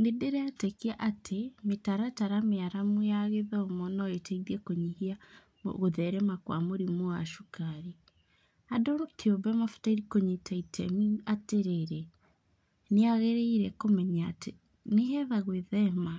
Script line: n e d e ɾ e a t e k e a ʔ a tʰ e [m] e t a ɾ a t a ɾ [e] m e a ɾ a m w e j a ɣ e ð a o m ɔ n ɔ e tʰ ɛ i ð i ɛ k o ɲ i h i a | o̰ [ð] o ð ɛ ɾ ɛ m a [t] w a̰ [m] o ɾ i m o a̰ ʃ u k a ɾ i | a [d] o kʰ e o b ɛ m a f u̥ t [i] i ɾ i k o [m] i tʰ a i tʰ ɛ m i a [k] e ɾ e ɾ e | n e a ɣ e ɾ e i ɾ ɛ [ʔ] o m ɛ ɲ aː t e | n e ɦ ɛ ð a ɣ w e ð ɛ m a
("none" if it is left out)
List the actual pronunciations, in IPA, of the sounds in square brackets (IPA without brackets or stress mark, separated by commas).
m, a, ɣ, k, m, d, a, ɲ, t, k